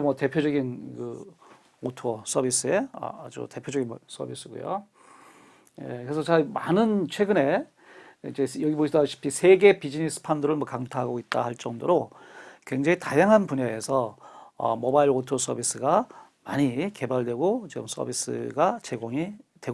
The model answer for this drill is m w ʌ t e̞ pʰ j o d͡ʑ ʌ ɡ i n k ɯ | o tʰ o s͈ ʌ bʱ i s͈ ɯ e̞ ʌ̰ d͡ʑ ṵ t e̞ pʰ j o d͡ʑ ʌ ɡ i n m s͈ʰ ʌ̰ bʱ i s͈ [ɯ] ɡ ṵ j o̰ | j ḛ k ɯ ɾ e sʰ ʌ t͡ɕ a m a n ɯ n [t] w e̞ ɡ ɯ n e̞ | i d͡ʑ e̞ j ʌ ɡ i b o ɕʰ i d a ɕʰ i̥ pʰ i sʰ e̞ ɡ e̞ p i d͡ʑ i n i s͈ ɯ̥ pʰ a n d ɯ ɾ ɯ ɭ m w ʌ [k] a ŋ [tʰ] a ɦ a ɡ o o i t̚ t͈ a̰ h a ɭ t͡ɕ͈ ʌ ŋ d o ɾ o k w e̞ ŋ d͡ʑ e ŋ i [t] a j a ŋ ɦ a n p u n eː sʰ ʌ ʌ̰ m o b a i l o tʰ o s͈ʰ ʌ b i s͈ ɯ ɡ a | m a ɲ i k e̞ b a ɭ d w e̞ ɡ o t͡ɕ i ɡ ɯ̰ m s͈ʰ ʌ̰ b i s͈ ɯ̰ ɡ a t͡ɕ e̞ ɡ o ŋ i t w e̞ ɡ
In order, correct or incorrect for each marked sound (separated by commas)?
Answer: correct, incorrect, correct, correct, correct